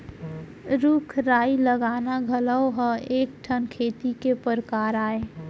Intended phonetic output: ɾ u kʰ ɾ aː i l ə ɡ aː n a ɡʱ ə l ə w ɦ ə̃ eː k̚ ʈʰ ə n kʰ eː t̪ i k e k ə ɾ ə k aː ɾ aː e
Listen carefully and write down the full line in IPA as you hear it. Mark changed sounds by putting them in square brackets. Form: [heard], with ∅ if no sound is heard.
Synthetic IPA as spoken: ɾ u kʰ ɾ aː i l ə ɡ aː n a ɡʱ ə l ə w ɦ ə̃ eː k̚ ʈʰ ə n kʰ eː t̪ i k e [p] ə ɾ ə k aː ɾ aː e